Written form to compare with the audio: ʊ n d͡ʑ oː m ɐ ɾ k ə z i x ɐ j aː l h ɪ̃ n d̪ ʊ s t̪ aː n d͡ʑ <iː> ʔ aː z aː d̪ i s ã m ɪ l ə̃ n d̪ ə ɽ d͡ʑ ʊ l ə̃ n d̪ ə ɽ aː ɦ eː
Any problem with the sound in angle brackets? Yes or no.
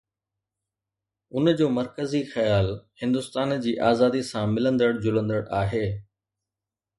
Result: no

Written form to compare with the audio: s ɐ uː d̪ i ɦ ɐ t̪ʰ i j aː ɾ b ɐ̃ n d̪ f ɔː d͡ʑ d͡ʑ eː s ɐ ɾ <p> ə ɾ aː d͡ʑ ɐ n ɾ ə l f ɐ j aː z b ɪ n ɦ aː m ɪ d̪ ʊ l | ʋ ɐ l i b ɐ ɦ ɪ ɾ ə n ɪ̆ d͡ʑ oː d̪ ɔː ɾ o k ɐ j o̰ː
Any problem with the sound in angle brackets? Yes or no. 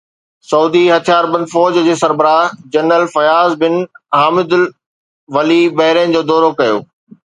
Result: yes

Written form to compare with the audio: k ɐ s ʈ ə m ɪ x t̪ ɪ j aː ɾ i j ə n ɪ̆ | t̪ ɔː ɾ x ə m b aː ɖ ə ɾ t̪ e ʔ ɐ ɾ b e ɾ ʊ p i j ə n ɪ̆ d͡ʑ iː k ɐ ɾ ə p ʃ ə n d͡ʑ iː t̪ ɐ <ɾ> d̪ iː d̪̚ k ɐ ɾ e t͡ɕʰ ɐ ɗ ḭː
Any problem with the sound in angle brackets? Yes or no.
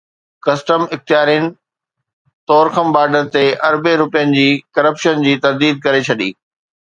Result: no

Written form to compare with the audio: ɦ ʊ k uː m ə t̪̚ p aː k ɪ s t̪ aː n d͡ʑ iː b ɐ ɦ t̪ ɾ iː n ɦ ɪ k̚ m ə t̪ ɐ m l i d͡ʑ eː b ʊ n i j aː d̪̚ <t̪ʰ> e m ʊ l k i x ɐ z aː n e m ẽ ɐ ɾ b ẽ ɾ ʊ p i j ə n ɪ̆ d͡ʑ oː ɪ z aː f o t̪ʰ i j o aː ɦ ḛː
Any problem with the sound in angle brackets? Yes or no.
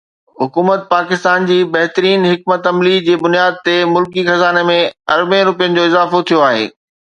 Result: yes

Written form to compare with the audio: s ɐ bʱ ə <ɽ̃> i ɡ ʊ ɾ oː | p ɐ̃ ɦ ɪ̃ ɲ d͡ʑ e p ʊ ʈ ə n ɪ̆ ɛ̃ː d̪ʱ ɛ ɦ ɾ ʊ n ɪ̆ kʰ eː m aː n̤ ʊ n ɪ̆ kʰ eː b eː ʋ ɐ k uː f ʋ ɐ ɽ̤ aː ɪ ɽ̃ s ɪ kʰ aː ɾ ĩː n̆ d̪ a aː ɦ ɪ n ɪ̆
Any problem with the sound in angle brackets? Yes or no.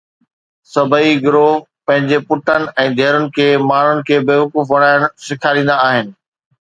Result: yes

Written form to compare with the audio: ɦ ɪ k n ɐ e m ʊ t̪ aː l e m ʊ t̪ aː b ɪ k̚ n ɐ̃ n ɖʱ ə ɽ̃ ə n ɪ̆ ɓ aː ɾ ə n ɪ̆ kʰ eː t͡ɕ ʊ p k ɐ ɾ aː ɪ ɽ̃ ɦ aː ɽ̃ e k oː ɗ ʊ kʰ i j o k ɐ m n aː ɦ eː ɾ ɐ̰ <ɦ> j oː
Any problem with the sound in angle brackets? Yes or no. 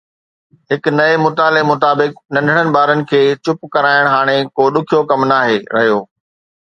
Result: no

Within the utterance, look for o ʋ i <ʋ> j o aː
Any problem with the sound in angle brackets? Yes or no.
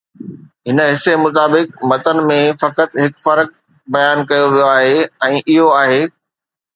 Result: yes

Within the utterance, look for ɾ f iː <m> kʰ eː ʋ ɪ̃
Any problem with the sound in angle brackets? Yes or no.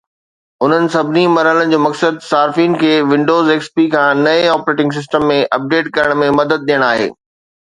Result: yes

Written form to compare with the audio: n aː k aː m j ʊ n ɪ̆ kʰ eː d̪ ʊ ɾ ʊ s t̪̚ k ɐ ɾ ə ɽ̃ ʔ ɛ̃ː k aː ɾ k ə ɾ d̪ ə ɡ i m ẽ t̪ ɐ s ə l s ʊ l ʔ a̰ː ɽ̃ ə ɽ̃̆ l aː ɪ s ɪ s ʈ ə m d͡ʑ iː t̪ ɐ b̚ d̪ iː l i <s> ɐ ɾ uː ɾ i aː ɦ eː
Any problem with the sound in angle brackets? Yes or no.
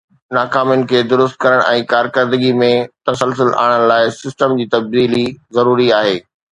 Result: yes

